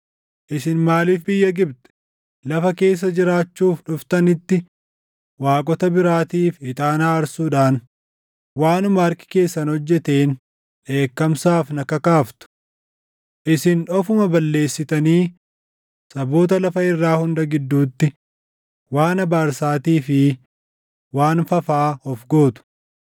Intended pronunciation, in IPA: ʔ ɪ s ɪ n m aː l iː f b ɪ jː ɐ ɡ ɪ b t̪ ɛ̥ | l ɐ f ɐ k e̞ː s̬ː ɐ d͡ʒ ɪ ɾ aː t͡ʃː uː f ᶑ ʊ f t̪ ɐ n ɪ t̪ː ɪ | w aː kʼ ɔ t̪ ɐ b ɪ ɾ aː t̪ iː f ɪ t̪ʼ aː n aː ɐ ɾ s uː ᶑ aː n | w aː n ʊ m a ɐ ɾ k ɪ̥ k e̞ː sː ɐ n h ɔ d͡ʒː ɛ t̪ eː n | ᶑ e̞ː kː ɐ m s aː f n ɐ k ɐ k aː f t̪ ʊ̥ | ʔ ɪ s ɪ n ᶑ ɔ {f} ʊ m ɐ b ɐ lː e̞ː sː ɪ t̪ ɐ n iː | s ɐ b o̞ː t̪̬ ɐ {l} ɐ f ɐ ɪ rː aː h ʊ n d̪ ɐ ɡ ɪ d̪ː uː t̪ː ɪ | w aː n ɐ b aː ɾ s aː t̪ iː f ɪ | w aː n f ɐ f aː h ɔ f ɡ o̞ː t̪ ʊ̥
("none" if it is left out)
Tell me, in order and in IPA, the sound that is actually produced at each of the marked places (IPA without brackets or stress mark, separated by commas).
f, l